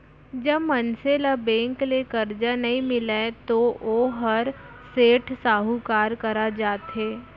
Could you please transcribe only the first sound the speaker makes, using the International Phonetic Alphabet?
d͡ʒ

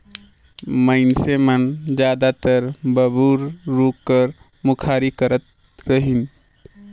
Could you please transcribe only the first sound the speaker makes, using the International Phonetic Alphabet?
m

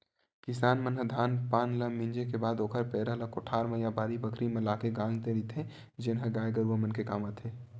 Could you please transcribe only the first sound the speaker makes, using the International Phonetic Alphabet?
k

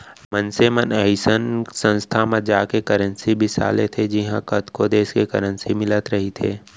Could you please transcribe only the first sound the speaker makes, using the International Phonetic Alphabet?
m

